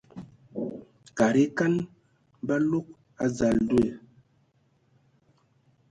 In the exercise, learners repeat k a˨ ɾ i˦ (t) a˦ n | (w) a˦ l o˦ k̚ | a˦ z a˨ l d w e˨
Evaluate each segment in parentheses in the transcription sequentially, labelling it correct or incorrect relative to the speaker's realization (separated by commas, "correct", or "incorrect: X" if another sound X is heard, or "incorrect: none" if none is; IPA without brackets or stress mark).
incorrect: k, incorrect: b